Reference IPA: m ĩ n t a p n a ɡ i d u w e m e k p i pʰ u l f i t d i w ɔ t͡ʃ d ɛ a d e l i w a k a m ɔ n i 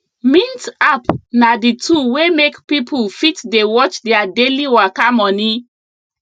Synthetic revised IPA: m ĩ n t a p n a d i t u w e m e k p i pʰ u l f i t d e w ɔ t͡ʃ d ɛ a d e l i w a k a m ɔ n i